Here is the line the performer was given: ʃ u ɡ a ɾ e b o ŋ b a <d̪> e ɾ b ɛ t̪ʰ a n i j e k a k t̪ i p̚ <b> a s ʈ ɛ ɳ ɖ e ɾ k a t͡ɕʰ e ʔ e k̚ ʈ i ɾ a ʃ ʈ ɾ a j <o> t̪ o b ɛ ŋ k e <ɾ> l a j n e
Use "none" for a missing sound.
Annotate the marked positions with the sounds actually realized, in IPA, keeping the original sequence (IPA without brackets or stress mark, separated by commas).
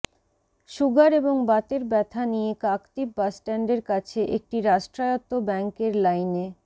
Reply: t̪, b, o, ɾ